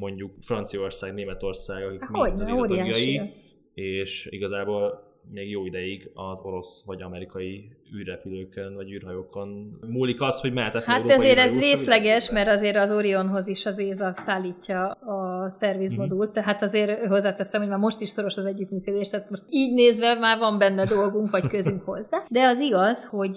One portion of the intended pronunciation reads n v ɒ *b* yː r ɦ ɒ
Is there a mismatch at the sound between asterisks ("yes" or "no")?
yes